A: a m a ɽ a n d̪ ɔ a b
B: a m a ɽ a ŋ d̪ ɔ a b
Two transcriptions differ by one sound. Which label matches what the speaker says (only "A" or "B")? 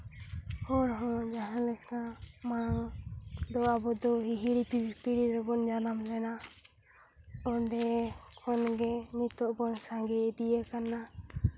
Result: B